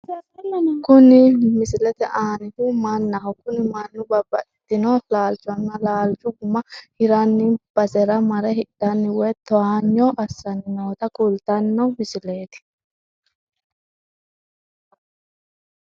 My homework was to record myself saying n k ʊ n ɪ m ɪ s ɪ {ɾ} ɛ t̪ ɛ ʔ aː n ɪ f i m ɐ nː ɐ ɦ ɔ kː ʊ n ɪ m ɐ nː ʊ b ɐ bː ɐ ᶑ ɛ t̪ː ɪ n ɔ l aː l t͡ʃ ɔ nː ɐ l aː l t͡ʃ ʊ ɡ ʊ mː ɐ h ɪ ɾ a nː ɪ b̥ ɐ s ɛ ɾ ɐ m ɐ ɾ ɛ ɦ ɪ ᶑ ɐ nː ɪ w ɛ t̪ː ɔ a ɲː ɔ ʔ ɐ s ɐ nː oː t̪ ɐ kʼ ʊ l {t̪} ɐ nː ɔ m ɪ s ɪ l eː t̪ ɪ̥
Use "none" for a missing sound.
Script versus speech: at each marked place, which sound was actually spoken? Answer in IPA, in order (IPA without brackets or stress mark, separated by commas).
l, t̪